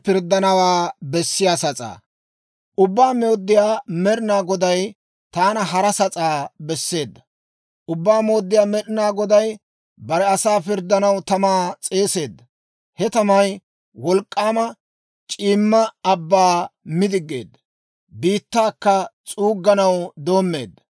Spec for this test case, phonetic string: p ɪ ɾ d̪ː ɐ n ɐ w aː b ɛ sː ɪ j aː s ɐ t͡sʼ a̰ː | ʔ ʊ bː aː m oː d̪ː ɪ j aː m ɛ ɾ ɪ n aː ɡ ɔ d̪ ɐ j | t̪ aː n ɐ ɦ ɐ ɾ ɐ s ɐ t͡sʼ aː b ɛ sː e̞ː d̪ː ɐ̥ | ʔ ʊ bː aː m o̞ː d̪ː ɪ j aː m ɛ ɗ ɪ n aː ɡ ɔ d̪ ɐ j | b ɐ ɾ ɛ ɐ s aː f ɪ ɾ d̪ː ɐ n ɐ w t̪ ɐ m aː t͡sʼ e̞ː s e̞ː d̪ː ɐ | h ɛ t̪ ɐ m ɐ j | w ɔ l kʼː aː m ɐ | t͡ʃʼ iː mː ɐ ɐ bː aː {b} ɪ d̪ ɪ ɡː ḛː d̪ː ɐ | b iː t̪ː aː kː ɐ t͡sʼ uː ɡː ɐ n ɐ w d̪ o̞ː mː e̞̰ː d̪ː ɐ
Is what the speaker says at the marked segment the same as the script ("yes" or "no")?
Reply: no